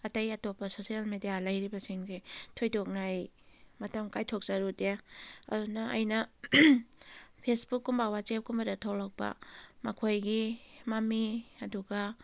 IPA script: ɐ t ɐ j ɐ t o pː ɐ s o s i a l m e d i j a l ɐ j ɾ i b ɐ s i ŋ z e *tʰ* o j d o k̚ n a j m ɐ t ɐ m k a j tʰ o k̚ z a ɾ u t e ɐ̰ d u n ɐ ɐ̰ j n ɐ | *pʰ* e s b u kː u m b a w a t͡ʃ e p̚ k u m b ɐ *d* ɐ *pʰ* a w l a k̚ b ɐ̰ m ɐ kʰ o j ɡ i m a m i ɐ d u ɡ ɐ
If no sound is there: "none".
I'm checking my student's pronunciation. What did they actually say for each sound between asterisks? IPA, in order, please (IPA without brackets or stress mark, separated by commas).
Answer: tʰ, pʰ, d, tʰ